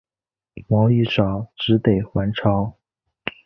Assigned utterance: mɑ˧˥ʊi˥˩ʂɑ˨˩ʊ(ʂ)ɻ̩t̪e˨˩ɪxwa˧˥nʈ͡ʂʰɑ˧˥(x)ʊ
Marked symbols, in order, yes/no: no, no

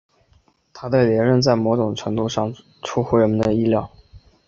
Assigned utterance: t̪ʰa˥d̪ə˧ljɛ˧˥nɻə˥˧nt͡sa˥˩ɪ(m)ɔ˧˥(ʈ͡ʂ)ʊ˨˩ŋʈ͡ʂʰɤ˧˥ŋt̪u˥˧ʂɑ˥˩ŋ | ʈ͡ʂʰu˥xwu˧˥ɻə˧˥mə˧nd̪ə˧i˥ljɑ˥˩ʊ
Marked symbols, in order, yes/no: yes, yes

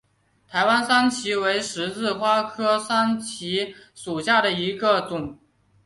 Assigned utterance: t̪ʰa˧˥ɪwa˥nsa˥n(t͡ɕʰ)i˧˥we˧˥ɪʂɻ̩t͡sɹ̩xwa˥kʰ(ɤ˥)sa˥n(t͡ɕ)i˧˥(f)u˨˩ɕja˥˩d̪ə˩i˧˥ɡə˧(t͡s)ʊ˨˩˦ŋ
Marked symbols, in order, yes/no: yes, yes, no, no, yes

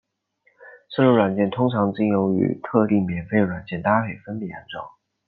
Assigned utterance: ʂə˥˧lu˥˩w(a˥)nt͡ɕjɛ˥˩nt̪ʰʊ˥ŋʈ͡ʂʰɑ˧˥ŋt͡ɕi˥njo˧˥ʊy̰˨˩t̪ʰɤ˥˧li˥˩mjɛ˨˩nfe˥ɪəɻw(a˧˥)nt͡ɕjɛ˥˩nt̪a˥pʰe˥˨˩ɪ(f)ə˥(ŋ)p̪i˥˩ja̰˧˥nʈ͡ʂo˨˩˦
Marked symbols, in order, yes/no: no, no, yes, no

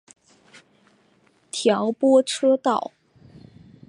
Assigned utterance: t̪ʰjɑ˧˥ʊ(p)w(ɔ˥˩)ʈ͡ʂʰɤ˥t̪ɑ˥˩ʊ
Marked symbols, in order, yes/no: yes, no

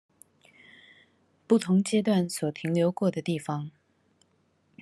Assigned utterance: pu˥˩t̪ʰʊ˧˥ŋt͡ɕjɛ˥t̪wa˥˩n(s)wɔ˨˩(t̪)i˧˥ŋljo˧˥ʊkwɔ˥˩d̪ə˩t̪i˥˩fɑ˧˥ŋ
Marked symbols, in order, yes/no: yes, no

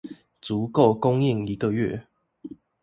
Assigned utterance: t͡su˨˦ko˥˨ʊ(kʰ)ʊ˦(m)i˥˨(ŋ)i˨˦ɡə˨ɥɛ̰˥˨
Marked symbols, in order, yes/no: no, no, yes

